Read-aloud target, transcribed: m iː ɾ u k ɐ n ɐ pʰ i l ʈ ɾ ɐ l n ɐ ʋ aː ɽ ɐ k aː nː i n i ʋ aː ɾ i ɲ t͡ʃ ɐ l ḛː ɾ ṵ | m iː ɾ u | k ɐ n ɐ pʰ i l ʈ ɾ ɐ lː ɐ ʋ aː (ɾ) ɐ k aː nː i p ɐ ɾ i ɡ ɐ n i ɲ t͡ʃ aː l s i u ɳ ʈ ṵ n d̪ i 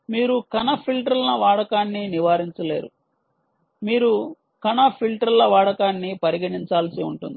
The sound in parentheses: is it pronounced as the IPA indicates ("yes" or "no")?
no